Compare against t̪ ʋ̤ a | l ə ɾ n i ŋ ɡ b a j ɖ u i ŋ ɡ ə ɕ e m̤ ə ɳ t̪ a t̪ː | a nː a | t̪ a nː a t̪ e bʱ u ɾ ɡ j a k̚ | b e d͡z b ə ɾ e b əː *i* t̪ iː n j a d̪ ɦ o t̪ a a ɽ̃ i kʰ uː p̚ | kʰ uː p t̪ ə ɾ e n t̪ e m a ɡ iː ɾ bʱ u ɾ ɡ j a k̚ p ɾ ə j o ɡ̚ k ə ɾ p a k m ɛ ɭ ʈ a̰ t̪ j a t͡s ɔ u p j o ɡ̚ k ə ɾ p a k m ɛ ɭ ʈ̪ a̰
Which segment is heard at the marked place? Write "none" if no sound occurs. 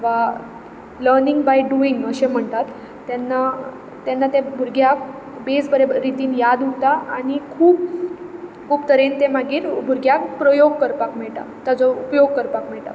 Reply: i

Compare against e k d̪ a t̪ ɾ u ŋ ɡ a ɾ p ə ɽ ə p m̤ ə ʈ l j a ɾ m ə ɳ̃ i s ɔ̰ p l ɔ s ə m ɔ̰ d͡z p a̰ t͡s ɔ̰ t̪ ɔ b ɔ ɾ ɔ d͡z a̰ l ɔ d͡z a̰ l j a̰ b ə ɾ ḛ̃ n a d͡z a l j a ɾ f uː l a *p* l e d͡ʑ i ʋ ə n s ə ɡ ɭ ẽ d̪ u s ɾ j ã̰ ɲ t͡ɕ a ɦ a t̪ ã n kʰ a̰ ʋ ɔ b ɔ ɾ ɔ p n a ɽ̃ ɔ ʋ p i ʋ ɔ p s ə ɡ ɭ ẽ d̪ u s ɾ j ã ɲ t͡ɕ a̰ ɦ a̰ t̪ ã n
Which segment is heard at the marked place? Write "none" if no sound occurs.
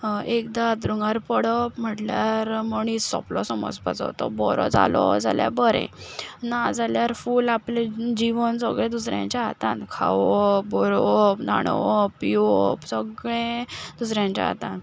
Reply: p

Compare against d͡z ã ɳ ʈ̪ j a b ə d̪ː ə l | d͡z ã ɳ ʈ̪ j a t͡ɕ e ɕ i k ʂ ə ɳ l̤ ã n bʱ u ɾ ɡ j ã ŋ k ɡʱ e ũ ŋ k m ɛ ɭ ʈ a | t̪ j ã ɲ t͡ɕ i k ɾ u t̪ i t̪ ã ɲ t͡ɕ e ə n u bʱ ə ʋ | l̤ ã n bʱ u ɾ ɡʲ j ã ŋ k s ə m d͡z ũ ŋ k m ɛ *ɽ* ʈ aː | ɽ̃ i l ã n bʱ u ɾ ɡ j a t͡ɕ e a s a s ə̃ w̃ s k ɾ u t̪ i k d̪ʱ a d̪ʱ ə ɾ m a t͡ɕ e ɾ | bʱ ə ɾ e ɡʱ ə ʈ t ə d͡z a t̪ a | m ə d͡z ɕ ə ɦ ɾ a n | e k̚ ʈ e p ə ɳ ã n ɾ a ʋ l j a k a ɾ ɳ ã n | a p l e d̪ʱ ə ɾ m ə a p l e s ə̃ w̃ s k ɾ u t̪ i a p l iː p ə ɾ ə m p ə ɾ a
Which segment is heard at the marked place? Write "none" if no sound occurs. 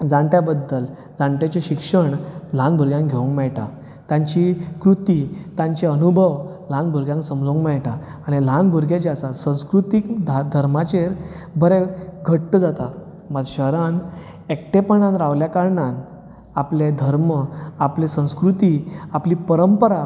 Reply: ɭ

